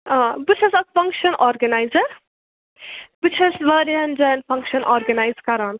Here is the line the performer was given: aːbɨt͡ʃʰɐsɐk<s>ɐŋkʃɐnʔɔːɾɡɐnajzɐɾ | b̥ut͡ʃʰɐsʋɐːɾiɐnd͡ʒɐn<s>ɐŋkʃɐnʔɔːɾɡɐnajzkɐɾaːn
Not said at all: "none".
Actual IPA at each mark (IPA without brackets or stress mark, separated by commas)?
f, f